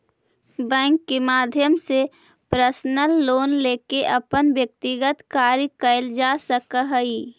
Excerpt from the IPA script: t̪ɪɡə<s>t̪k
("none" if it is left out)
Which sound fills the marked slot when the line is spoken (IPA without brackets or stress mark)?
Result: none